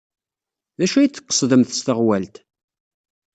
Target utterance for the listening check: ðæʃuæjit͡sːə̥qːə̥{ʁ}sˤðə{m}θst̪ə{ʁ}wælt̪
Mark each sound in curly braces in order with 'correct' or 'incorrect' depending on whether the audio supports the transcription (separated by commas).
incorrect, correct, correct